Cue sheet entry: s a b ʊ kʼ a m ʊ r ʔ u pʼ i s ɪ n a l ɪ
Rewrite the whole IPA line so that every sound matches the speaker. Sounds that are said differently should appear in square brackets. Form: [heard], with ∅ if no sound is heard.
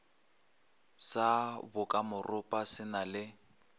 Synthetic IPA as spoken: s a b ʊ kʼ a m ʊ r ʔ [ʊ] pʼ [a] s ɪ n a l ɪ